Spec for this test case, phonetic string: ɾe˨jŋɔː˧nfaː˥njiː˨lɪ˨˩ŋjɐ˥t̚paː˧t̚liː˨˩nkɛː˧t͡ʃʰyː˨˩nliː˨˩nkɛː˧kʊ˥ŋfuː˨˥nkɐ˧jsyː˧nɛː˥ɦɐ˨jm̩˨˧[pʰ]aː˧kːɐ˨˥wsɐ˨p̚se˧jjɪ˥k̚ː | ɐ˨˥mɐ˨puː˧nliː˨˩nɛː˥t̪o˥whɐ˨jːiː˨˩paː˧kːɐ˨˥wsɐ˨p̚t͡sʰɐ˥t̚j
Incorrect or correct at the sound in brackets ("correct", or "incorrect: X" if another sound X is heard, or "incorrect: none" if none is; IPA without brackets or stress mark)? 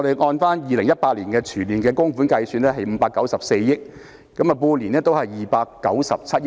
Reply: incorrect: p